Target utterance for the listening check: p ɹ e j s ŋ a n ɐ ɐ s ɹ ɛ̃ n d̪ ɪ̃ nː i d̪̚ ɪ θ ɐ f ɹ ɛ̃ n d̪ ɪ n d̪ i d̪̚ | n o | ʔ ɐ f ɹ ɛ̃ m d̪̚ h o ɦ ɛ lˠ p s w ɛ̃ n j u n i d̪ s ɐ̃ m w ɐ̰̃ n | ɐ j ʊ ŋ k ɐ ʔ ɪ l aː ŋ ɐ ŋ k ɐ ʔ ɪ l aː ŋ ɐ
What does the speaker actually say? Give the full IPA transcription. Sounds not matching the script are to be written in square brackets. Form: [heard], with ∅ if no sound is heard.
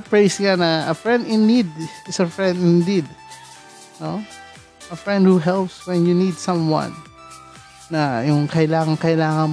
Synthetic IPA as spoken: p ɹ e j s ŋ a n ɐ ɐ [f] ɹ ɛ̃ n d̪ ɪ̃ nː i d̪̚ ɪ [s] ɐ f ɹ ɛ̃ n d̪ ɪ n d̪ i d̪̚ | n o | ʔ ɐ f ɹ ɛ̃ [n] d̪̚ h [u] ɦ ɛ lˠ p s w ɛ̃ n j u n i d̪ s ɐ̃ m w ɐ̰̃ n | ɐ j ʊ ŋ k ɐ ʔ ɪ l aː ŋ ɐ ŋ k ɐ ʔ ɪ l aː ŋ ɐ